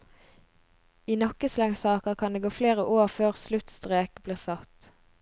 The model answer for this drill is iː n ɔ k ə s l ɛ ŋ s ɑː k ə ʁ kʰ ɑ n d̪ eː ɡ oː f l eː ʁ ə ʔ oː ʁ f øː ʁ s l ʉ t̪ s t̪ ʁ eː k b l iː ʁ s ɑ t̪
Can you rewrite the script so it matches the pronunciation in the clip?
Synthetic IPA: iː n ɔ k ə s l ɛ ŋ s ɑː k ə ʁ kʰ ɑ n d̪ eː ɡ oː f l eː ʁ ə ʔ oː ʁ f øː ʁ s l ʉ t̪ s t̪ ʁ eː k b l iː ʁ s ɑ t̪